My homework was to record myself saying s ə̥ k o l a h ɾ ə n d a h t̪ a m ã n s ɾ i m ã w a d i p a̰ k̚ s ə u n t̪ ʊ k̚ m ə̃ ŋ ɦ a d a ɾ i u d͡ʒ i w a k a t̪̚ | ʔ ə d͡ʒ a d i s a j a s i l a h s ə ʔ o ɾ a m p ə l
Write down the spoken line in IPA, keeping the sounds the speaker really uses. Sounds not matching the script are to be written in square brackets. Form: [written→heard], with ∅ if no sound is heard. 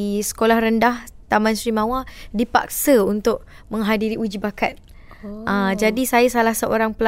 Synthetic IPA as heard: s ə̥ k o l a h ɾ ə n d a h t̪ a m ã n s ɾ i m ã w a d i p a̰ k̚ s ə u n t̪ ʊ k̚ m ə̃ ŋ ɦ a d [a→i] ɾ i u d͡ʒ i [w→b] a k a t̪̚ | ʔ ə d͡ʒ a d i s a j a s [i→a] l a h s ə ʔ o ɾ a [m→ŋ] p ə l